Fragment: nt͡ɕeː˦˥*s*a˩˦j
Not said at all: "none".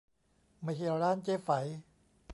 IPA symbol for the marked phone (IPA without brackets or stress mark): f